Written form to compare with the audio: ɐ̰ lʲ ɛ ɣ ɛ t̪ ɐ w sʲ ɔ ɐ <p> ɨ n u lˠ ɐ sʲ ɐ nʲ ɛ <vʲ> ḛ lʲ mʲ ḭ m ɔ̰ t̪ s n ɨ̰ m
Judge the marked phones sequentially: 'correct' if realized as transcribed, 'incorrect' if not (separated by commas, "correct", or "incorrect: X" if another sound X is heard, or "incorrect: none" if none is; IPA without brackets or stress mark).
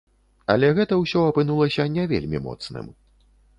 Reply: correct, correct